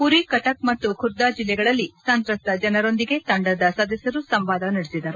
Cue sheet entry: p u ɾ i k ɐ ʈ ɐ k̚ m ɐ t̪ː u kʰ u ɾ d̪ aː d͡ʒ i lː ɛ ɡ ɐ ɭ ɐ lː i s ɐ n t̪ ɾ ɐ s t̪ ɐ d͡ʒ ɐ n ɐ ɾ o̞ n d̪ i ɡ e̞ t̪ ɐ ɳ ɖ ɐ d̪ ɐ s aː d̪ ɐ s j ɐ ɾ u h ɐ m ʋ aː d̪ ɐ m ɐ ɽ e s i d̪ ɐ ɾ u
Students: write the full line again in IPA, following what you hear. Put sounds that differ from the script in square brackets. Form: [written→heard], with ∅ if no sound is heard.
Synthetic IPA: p u ɾ i k ɐ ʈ ɐ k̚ m ɐ t̪ː u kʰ u ɾ d̪ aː d͡ʒ i lː ɛ ɡ ɐ ɭ ɐ lː i s ɐ n t̪ ɾ ɐ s t̪ ɐ d͡ʒ ɐ n ɐ ɾ o̞ n d̪ i ɡ e̞ t̪ ɐ ɳ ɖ ɐ d̪ ɐ s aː d̪ ɐ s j ɐ ɾ u [h→s] ɐ m ʋ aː d̪ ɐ [m→n] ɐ ɽ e s i d̪ ɐ ɾ u

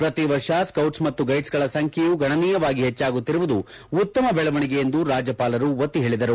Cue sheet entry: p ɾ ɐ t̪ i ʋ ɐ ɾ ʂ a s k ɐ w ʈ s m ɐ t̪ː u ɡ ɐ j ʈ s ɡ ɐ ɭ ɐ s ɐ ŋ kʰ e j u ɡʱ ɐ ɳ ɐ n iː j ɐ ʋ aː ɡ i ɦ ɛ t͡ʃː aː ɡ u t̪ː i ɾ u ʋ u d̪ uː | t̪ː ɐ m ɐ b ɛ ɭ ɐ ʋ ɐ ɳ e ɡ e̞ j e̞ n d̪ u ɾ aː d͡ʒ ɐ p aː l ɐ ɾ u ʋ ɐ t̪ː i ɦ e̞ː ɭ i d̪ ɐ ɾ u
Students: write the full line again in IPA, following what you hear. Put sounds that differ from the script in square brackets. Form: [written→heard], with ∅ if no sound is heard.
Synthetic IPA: p ɾ ɐ t̪ i ʋ ɐ ɾ ʂ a s k ɐ w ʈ s m ɐ t̪ː u ɡ ɐ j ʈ s ɡ ɐ ɭ ɐ s ɐ ŋ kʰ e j u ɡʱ ɐ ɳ ɐ n iː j ɐ ʋ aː ɡ i ɦ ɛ t͡ʃː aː ɡ u t̪ː i ɾ u ʋ u d̪ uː | t̪ː ɐ m ɐ b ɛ ɭ ɐ ʋ ɐ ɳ [e→i] ɡ e̞ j e̞ n d̪ u ɾ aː d͡ʒ ɐ p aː l ɐ ɾ u ʋ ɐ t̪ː i ɦ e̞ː ɭ i d̪ ɐ ɾ u

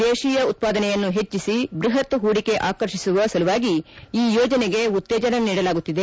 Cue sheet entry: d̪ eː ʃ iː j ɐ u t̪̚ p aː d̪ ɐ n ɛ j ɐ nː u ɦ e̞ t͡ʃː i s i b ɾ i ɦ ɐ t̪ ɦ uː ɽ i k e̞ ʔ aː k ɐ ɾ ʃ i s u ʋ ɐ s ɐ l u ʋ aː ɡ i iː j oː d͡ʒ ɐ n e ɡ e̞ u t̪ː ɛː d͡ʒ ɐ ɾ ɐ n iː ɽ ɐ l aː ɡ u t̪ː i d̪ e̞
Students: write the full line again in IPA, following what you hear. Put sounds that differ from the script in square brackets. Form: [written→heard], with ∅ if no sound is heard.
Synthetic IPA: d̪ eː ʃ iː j ɐ u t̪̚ p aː d̪ ɐ n ɛ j ɐ nː u ɦ e̞ t͡ʃː i s i b ɾ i ɦ ɐ t̪ ɦ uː ɽ i k e̞ ʔ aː k ɐ ɾ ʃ i s u ʋ ɐ s ɐ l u ʋ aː ɡ i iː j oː d͡ʒ ɐ n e ɡ e̞ u t̪ː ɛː d͡ʒ ɐ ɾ ɐ n iː ɽ ɐ l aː ɡ u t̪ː i d̪ e̞

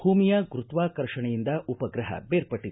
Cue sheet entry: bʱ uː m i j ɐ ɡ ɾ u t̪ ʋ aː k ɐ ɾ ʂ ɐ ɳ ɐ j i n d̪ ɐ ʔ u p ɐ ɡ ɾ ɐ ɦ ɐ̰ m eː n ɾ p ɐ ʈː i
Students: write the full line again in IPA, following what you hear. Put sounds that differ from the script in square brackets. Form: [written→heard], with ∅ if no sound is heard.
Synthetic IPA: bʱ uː m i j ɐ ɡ ɾ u t̪ ʋ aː k ɐ ɾ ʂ ɐ ɳ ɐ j i n d̪ ɐ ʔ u p ɐ ɡ ɾ ɐ ɦ ɐ̰ [m→b] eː [n→∅] ɾ p ɐ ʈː i

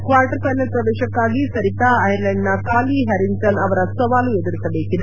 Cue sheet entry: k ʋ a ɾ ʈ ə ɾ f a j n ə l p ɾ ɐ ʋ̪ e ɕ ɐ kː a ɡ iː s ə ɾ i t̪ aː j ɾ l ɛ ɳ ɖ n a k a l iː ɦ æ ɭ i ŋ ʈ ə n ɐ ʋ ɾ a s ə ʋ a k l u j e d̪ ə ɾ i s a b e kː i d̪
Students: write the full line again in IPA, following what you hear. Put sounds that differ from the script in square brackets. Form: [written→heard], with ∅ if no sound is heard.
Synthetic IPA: k ʋ a ɾ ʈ ə ɾ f a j n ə l p ɾ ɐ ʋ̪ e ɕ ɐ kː a ɡ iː s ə ɾ i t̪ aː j ɾ l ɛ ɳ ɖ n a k a l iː ɦ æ [ɭ→ɾ] i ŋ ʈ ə n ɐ ʋ ɾ a s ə ʋ a [k→∅] l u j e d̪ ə ɾ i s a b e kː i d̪

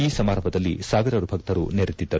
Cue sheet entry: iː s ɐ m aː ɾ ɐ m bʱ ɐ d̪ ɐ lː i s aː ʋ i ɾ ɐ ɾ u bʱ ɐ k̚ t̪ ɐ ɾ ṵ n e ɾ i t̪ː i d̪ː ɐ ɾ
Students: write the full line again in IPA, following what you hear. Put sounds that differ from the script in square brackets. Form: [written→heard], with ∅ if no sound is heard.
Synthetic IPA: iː s ɐ m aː ɾ ɐ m bʱ ɐ d̪ ɐ lː i s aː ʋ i ɾ ɐ ɾ u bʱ ɐ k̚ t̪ ɐ ɾ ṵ n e ɾ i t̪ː i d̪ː ɐ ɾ

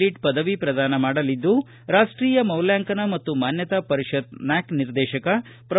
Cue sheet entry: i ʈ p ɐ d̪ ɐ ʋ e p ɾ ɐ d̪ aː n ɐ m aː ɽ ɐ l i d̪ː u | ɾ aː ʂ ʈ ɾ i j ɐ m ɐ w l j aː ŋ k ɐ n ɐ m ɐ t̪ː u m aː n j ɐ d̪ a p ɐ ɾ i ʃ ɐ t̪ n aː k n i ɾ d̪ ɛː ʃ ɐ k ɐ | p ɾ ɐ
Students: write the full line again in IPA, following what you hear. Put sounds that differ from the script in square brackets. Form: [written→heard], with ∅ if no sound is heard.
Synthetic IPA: i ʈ p ɐ d̪ ɐ ʋ [e→i] p ɾ ɐ d̪ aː n ɐ m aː ɽ ɐ l i d̪ː u | ɾ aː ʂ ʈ ɾ [i→iː] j ɐ m ɐ w l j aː ŋ k ɐ n ɐ m ɐ t̪ː u m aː n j ɐ [d̪→t̪] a p ɐ ɾ i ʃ ɐ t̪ n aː k n i ɾ d̪ ɛː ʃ ɐ k ɐ | p ɾ ɐ

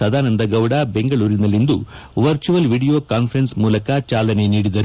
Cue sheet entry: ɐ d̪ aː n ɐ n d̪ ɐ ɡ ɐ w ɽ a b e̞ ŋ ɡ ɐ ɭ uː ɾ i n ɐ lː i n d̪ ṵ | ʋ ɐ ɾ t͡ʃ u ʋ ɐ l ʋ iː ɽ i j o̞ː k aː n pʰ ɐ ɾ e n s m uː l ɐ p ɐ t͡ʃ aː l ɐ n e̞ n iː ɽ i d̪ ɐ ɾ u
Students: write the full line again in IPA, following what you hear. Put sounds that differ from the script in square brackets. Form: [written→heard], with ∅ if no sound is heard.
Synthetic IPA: ɐ d̪ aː n ɐ n d̪ ɐ ɡ ɐ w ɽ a b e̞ ŋ ɡ ɐ ɭ uː ɾ i n ɐ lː i n d̪ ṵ | ʋ ɐ ɾ t͡ʃ u ʋ ɐ l ʋ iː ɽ i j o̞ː k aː n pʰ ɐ ɾ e n s m uː l ɐ [p→k] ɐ t͡ʃ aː l ɐ n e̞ n iː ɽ i d̪ ɐ ɾ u

